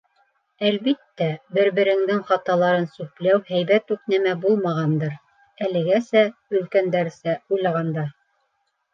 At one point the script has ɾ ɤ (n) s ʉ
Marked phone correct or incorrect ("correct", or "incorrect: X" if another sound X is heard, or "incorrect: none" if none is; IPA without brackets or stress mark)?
correct